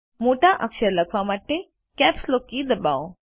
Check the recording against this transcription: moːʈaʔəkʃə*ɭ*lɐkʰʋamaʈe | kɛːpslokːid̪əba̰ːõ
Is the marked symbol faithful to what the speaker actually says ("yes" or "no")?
no